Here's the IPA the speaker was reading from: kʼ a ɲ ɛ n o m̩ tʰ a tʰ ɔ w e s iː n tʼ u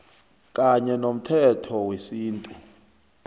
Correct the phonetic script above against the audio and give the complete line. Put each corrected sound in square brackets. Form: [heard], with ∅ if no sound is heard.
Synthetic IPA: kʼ a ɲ ɛ n o m̩ tʰ [ɛ] tʰ ɔ w e s iː n tʼ u